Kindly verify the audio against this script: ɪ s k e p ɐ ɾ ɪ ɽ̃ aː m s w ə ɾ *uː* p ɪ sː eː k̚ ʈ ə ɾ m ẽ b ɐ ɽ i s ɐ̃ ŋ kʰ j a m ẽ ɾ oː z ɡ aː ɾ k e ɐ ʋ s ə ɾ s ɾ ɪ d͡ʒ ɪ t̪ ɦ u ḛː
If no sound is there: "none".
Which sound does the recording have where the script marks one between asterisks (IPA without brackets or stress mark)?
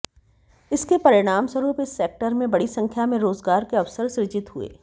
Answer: uː